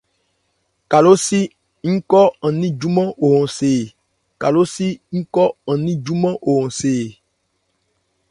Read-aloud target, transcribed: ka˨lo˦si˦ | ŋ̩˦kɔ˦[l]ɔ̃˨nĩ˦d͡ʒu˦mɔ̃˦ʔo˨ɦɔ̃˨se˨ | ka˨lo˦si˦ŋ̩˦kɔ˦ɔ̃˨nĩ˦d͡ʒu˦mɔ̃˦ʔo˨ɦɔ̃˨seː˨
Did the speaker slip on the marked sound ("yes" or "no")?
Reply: yes